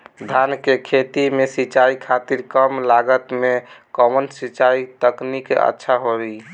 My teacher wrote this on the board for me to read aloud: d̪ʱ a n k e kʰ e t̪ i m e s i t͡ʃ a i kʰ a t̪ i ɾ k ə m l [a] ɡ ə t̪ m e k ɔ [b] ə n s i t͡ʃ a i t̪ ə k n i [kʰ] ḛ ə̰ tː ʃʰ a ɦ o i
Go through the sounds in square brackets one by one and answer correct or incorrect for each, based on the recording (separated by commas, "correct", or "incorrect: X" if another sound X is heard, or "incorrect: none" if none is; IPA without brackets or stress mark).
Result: correct, incorrect: m, incorrect: k